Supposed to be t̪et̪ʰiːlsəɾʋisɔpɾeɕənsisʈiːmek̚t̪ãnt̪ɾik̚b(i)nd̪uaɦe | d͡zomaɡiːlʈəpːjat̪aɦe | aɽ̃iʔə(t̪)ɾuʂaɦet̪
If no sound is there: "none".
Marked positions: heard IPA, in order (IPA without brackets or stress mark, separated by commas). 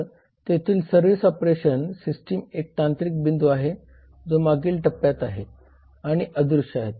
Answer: i, d̪